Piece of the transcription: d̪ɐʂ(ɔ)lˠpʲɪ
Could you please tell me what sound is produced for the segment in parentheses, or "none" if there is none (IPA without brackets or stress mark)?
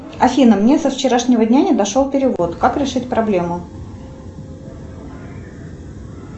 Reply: o